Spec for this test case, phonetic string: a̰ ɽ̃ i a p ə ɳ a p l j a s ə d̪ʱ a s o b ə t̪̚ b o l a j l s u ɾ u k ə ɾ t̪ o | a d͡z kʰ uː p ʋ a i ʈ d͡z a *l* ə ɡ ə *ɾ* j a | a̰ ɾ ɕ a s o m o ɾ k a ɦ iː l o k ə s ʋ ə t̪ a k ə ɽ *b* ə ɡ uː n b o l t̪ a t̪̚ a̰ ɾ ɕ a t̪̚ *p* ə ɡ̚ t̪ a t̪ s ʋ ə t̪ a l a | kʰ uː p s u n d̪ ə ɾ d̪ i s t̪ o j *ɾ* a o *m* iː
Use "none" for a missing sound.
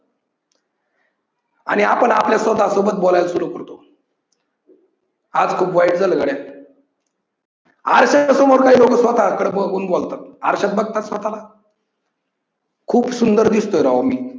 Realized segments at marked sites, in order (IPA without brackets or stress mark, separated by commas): l, ɽ, b, b, ɾ, m